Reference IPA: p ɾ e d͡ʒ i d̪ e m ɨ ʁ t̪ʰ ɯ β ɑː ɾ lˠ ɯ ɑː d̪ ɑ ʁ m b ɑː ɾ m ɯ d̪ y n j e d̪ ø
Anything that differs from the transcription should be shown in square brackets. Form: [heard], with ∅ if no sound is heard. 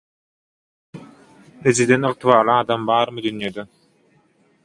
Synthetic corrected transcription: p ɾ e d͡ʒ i d̪ e [n] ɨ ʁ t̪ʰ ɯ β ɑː ɾ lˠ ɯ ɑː d̪ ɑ [∅] m b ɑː ɾ m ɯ d̪ y n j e d̪ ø